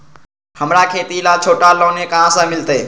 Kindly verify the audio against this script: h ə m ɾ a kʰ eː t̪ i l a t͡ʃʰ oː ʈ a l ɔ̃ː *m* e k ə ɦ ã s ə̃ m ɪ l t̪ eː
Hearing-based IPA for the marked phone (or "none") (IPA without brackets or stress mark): n